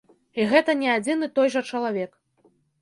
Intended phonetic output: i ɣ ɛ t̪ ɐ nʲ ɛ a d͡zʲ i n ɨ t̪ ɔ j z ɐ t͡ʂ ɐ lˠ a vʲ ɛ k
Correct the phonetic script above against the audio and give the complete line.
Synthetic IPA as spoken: i ɣ ɛ t̪ ɐ nʲ ɛ a d͡zʲ i n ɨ t̪ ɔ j ʐ ɐ t͡ʂ ɐ lˠ a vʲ ɛ k